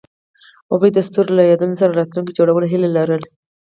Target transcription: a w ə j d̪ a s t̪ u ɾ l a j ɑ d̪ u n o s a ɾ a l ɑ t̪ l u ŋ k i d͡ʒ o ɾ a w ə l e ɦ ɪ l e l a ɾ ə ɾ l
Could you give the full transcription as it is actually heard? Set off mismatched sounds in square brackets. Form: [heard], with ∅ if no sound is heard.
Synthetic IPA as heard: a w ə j d̪ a s t̪ u ɾ l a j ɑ d̪ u n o s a ɾ a [ɾ] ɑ t̪ l u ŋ k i d͡ʒ o [ɽ] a w ə l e ɦ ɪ l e l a ɾ ə [∅] l